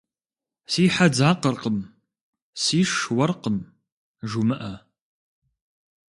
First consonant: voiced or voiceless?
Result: voiceless